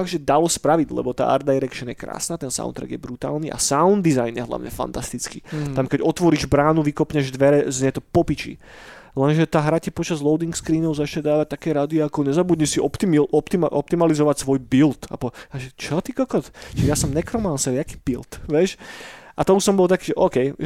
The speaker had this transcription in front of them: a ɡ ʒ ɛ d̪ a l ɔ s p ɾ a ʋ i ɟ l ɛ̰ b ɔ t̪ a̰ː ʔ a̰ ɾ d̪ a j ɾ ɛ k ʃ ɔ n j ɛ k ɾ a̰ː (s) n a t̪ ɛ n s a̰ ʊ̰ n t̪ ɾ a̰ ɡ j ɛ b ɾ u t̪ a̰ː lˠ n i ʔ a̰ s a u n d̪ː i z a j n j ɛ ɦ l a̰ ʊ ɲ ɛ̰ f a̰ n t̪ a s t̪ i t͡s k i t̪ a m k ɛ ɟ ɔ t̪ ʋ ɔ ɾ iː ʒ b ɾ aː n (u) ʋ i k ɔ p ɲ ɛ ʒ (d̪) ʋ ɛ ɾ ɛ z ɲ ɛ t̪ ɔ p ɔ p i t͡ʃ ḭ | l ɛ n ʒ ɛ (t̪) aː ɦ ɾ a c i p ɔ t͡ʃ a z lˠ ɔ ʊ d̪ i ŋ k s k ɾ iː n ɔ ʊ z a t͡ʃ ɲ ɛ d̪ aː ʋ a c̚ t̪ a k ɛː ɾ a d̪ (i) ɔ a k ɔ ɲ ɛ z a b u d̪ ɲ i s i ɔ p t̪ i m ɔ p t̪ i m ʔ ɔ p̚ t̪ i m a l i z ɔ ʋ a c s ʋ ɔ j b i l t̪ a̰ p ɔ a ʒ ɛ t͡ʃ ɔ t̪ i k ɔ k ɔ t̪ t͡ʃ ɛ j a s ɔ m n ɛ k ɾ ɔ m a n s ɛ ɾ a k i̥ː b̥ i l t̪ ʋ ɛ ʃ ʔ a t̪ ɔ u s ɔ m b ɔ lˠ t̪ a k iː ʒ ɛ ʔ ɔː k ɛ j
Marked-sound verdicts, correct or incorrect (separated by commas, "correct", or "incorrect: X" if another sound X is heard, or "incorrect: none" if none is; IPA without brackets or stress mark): correct, correct, correct, correct, correct